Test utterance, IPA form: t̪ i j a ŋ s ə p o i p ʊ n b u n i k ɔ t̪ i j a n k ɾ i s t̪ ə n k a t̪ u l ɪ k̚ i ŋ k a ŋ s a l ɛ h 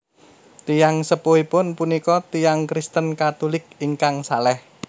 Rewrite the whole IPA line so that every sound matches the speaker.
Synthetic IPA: t̪ i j a ŋ s ə p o i p ʊ n p u n i k ɔ t̪ i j a ŋ k ɾ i s t̪ ə n k a t̪ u l ɪ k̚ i ŋ k a ŋ s a l ɛ h

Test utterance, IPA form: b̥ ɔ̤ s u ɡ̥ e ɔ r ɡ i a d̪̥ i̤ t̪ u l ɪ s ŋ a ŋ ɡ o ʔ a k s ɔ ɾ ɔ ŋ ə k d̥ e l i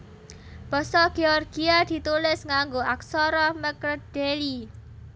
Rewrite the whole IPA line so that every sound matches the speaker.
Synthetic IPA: b̥ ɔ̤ s ɔ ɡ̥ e ɔ r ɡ i a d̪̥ i̤ t̪ u l ɪ s ŋ a ŋ ɡ o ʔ a k s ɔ ɾ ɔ m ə k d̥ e l i

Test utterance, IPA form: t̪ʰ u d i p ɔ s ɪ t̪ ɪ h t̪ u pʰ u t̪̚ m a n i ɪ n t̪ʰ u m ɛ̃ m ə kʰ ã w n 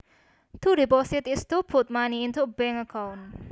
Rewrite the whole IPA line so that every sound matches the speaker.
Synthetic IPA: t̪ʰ u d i p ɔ s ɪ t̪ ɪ s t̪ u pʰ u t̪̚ m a n i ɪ n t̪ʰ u b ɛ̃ ŋ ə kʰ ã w n

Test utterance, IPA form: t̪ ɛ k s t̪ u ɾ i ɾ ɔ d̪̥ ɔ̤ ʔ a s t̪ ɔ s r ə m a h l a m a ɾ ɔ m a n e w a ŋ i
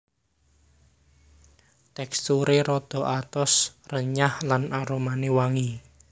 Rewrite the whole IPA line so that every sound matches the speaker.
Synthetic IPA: t̪ ɛ k s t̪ u ɾ e ɾ ɔ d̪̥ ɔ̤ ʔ a t̪ ɔ s r ə ɲ a h l a n a ɾ o m a n e w a ŋ i

